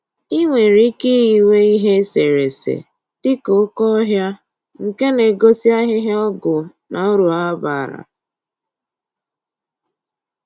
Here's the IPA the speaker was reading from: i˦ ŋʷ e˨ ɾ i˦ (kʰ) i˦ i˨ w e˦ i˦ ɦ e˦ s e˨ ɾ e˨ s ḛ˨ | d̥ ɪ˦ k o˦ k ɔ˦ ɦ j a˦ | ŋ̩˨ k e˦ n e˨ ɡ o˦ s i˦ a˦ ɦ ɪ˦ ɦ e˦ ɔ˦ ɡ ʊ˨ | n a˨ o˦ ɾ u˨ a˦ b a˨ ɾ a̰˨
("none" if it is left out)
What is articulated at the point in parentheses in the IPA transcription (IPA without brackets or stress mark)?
k